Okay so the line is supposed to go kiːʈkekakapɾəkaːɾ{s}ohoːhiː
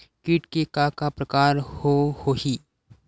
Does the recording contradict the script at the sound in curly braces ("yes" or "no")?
yes